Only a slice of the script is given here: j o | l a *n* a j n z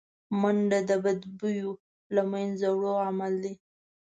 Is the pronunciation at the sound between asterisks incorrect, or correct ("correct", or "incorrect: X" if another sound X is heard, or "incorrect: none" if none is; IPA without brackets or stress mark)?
incorrect: m